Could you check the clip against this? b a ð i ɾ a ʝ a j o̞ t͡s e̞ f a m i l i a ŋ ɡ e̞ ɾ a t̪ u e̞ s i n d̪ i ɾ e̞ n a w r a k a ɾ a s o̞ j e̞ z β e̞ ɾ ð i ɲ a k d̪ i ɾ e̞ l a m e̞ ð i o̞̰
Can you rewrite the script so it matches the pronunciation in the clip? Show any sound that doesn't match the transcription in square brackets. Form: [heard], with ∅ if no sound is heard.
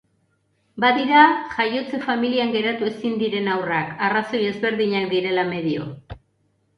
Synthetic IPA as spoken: b a ð i ɾ a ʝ a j o̞ t͡s e̞ f a m i l i a ŋ ɡ e̞ ɾ a t̪ u e̞ s i n d̪ i ɾ e̞ n a w r a k a [r] a s o̞ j e̞ z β e̞ ɾ ð i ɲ a k d̪ i ɾ e̞ l a m e̞ ð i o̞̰

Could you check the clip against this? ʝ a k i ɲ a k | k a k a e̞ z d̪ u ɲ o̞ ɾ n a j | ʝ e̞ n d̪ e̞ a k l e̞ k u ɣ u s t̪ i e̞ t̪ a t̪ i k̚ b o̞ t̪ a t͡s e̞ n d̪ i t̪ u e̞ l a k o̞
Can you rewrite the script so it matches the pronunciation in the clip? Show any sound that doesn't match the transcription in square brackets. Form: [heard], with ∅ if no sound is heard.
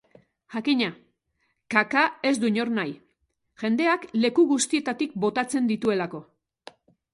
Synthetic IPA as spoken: ʝ a k i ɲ a [∅] | k a k a e̞ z d̪ u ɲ o̞ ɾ n a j | ʝ e̞ n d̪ e̞ a k l e̞ k u ɣ u s t̪ i e̞ t̪ a t̪ i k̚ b o̞ t̪ a t͡s e̞ n d̪ i t̪ u e̞ l a k o̞

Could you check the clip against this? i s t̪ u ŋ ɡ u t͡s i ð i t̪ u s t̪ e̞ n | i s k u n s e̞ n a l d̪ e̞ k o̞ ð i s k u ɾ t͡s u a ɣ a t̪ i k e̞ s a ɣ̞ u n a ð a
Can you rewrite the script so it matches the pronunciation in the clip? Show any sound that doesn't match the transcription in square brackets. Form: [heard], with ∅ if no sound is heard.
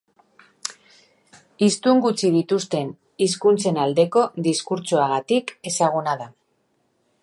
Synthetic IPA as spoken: i s t̪ u ŋ ɡ u t͡s i ð i t̪ u s t̪ e̞ n | i s k u n [t͡s] e̞ n a l d̪ e̞ k o̞ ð i s k u ɾ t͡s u a ɣ a t̪ i k e̞ s a ɣ̞ u n a ð a

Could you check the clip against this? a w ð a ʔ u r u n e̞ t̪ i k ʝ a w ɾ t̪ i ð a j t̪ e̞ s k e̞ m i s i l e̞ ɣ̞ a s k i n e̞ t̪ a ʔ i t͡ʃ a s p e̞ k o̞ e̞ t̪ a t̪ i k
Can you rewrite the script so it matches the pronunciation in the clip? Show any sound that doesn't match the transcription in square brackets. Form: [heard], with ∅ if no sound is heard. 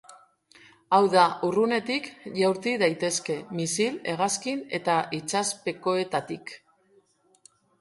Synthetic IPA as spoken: a w ð a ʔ u r u n e̞ t̪ i k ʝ a w ɾ t̪ i ð a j t̪ e̞ s k e̞ m i s i l e̞ ɣ̞ a s k i n e̞ t̪ a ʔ i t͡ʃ a s p e̞ k o̞ e̞ t̪ a t̪ i k

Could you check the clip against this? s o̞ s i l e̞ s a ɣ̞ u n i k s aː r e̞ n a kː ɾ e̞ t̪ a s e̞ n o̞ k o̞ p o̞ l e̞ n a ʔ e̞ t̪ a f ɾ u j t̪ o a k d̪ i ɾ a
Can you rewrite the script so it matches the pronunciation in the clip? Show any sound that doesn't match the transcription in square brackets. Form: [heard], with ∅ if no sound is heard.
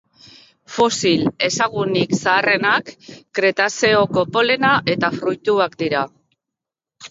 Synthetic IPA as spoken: [f] o̞ s i l e̞ s a ɣ̞ u n i k s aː r e̞ n a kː ɾ e̞ t̪ a s e̞ [∅] o̞ k o̞ p o̞ l e̞ n a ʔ e̞ t̪ a f ɾ u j t̪ [u] a k d̪ i ɾ a

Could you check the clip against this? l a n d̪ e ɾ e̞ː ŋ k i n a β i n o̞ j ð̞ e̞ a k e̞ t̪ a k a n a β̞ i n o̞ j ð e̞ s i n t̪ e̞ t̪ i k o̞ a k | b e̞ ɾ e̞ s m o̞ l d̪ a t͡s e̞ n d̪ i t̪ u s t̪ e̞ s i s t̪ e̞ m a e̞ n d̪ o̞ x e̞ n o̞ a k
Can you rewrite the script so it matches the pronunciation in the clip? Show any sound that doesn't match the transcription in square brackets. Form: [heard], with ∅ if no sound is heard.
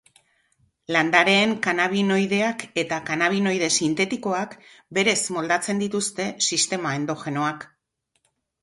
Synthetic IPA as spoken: l a n d̪ [a] ɾ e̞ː ŋ k [a] n a β i n o̞ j ð̞ e̞ a k e̞ t̪ a k a n a β̞ i n o̞ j ð e̞ s i n t̪ e̞ t̪ i k o̞ a k | b e̞ ɾ e̞ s m o̞ l d̪ a t͡s e̞ n d̪ i t̪ u s t̪ e̞ s i s t̪ e̞ m a e̞ n d̪ o̞ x e̞ n o̞ a k

